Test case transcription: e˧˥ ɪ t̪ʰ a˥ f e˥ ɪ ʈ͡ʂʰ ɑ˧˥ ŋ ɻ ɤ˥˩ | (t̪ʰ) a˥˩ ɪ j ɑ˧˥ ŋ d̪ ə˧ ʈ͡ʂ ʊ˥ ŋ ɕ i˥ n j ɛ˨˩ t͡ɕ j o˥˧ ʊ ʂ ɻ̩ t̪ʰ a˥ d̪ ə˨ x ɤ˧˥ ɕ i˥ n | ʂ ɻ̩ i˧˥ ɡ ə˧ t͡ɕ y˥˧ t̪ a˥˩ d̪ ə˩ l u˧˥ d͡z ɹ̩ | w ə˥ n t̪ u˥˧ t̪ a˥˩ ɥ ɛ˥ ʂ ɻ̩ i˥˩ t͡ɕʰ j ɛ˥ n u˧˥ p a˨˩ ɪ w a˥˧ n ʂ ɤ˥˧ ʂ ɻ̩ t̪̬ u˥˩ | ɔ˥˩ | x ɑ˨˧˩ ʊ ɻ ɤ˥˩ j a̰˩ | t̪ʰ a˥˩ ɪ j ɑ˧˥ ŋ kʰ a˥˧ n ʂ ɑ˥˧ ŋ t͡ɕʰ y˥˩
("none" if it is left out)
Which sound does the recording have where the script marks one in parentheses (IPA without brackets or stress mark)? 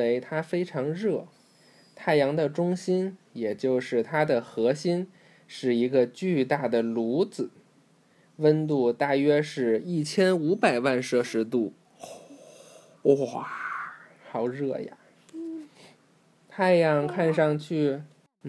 t̪ʰ